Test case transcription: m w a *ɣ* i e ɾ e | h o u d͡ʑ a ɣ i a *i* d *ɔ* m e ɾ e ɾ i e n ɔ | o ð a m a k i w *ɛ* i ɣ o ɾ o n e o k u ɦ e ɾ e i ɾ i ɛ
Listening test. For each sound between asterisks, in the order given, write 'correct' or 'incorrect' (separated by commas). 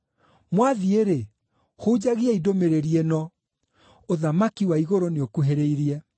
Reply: incorrect, correct, incorrect, incorrect